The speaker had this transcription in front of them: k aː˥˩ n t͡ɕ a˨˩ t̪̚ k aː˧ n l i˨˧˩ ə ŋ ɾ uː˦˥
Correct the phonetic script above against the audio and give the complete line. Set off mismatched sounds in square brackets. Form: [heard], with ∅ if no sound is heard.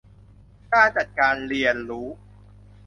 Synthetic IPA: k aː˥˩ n t͡ɕ a˨˩ t̪̚ k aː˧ n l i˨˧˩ ə [n] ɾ uː˦˥